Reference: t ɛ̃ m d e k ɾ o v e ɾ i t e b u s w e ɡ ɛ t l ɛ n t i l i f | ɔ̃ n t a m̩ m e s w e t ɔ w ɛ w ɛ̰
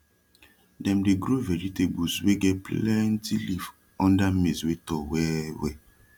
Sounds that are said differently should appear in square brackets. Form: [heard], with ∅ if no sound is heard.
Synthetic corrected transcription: [d] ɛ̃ m d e [ɡ] ɾ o v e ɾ i t e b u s w e ɡ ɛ [p] l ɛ n t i l i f | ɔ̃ n [d] a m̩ m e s w e t ɔ w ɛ w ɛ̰